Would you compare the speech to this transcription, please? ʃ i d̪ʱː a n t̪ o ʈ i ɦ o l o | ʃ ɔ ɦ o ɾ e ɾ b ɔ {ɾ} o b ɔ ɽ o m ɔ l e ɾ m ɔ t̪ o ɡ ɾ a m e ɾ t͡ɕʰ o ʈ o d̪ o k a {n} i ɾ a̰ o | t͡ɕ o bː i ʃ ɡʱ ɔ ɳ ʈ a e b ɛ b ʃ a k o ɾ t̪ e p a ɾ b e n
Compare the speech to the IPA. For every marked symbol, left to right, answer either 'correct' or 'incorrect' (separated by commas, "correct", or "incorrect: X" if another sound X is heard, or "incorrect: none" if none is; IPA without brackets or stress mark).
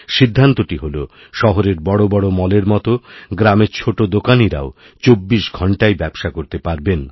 incorrect: ɽ, correct